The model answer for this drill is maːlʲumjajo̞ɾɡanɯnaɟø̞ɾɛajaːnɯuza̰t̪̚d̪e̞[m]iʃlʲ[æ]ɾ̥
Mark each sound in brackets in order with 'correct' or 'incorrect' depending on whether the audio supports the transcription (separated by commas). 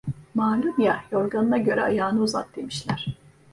correct, correct